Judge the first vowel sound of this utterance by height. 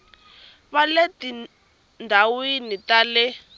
low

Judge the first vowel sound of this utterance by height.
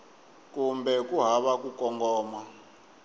high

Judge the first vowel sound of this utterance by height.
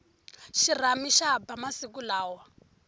high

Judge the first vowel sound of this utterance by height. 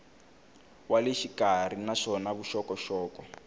low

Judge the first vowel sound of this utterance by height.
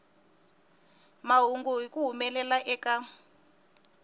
low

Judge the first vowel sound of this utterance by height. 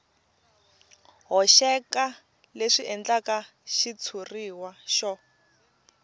mid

